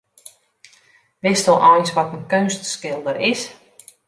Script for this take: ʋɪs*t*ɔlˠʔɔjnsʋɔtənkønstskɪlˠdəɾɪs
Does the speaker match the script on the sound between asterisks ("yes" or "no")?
yes